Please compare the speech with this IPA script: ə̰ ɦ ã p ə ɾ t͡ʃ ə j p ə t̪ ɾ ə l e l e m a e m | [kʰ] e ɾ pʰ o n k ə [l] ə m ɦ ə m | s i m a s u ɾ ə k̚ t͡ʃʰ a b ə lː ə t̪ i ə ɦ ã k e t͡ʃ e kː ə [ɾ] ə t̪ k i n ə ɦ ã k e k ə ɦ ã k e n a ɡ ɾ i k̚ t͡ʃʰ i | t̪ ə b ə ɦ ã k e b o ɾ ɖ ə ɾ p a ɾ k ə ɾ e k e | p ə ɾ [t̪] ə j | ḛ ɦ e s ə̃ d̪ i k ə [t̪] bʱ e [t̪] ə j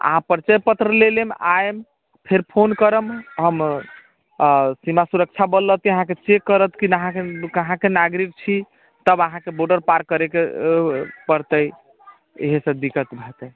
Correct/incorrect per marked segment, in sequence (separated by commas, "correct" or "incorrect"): incorrect, incorrect, correct, correct, correct, correct